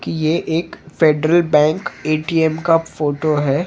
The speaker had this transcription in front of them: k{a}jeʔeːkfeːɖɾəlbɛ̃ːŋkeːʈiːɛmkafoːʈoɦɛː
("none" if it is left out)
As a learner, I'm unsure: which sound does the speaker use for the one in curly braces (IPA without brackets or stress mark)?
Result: i